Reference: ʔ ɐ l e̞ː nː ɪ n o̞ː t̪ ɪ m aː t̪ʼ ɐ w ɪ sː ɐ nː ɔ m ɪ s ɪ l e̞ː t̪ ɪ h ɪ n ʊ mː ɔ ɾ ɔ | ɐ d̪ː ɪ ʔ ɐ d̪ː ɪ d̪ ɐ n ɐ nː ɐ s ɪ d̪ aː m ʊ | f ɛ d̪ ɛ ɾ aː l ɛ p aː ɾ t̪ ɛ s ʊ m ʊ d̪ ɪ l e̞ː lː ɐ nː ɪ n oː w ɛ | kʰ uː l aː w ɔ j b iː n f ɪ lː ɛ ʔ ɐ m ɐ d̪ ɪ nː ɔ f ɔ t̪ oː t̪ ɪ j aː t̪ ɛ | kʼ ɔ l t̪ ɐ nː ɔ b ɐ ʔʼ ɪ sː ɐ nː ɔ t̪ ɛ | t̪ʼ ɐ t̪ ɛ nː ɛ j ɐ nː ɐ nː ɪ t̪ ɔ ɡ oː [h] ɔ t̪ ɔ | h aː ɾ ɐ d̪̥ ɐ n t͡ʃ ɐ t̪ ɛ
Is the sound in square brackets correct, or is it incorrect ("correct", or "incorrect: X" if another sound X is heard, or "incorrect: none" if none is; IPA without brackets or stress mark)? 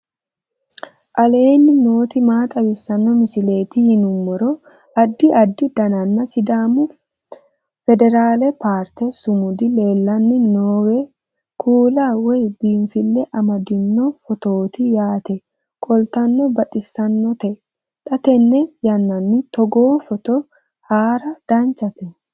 incorrect: f